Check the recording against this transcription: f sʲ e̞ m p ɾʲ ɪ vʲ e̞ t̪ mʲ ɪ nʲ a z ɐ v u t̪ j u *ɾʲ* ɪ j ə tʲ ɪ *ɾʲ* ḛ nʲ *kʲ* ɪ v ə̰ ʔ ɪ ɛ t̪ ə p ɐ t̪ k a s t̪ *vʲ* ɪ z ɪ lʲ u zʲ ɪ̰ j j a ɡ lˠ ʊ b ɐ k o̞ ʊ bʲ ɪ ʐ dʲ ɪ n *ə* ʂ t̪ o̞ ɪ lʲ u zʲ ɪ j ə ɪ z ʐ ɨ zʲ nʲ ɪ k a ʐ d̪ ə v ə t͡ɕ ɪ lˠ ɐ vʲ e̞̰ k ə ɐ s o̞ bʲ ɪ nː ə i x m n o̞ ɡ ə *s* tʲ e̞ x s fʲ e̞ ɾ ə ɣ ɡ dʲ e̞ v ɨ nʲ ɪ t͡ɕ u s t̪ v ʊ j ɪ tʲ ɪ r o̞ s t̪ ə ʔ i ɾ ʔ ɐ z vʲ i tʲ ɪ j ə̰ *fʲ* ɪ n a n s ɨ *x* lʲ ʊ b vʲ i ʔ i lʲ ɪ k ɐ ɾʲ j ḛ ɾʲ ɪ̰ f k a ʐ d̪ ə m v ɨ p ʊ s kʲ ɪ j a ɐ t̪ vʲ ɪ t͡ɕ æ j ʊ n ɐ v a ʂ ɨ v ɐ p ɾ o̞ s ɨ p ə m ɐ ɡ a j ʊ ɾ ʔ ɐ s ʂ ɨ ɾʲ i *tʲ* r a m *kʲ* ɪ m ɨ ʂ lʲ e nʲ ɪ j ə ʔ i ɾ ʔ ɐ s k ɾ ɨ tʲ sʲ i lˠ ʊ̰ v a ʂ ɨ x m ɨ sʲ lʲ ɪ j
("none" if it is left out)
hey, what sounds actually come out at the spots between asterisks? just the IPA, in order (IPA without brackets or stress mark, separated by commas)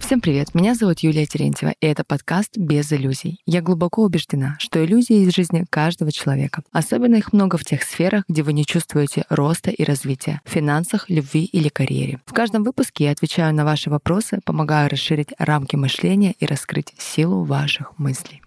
lʲ, ɾʲ, tʲ, bʲ, a, f, fʲ, x, tʲ, kʲ